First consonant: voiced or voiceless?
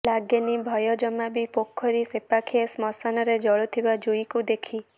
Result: voiced